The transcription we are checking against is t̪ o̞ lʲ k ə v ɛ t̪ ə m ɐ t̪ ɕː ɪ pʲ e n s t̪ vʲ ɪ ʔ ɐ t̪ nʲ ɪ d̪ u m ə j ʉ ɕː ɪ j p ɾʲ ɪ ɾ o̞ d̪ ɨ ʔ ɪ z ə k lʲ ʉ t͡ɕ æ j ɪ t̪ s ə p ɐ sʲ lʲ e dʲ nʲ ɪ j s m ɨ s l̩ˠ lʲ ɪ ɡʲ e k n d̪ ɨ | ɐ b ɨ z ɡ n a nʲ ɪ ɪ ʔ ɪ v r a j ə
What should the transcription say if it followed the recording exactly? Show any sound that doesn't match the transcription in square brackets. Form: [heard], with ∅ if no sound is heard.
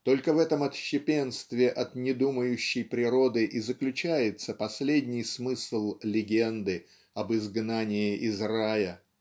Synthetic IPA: t̪ o̞ lʲ k ə v ɛ t̪ ə m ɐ t̪ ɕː ɪ pʲ e n s t̪ vʲ ɪ ʔ ɐ t̪ nʲ ɪ d̪ u m ə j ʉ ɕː ɪ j p ɾʲ ɪ ɾ o̞ d̪ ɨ ʔ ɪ z ə k lʲ ʉ t͡ɕ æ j ɪ t̪ s ə p ɐ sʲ lʲ e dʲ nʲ ɪ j s m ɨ s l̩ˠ lʲ ɪ ɡʲ e [∅] n d̪ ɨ | ɐ b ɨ z ɡ n a nʲ ɪ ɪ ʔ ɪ [z] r a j ə